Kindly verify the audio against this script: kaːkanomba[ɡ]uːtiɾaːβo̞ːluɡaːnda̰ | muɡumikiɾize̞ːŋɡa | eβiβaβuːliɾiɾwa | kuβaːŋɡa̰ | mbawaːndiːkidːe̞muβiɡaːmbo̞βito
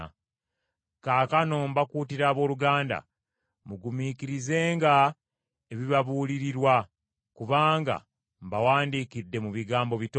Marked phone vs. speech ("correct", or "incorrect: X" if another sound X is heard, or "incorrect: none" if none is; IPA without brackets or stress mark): incorrect: k